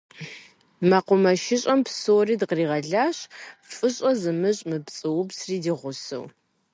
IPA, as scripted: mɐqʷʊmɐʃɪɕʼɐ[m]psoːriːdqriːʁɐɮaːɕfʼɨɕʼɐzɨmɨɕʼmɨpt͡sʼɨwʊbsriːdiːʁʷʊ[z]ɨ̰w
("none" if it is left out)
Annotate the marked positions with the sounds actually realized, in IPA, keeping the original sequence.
m, s

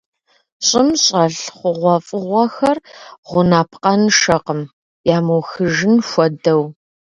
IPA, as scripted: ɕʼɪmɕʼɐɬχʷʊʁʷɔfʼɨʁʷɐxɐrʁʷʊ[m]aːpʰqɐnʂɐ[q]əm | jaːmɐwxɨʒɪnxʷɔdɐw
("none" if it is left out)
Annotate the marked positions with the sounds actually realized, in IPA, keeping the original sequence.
n, q

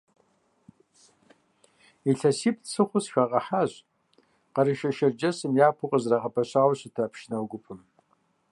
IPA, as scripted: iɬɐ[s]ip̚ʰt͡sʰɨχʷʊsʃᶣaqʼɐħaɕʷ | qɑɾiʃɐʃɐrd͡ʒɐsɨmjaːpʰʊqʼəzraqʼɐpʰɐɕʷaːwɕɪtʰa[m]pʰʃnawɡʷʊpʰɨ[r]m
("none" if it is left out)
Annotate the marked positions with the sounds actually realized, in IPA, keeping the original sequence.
s, none, none

